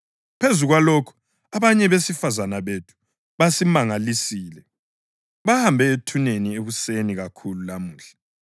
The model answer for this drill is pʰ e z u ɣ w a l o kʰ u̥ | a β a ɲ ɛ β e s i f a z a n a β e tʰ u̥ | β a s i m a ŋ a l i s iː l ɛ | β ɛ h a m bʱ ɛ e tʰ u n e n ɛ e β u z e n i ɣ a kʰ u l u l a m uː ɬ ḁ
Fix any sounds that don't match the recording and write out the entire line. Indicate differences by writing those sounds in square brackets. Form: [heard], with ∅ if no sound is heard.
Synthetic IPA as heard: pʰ e z u ɣ w a l o kʰ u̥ | a β a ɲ ɛ β e s i f a z a n a β e tʰ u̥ | β a s i m a ŋ a l i s iː l ɛ | β [a] h a m bʱ ɛ e tʰ u n e n [i] e β u [s] e n i ɣ a kʰ u l u l a m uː ɬ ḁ